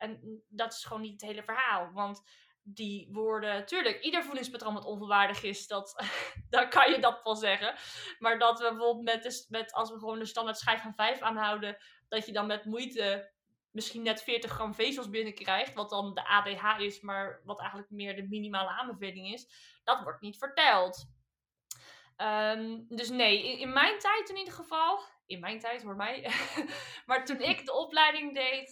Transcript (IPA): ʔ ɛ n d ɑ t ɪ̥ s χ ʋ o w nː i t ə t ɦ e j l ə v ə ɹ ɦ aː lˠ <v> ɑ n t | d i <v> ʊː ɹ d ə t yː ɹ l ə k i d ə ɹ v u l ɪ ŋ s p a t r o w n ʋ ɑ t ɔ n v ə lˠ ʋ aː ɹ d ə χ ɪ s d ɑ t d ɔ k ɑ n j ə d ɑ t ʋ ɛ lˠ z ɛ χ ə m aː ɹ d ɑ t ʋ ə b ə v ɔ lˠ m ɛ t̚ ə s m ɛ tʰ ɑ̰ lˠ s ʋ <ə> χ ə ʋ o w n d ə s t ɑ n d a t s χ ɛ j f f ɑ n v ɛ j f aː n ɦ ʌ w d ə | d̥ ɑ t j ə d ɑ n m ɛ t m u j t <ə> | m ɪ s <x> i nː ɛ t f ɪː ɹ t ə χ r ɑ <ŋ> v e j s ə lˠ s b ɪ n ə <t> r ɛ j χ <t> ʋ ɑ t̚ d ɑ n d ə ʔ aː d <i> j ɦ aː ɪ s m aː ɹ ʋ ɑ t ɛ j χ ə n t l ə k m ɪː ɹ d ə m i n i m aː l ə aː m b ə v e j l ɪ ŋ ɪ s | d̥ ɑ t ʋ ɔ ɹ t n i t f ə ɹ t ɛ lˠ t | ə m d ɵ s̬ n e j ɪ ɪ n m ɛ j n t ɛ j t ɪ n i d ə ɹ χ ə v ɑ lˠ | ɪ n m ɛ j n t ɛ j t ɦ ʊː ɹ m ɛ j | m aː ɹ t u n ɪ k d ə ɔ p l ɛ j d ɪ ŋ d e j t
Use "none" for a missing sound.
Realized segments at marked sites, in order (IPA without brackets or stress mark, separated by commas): ʋ, ʋ, ə, ə, χ, m, k, t, e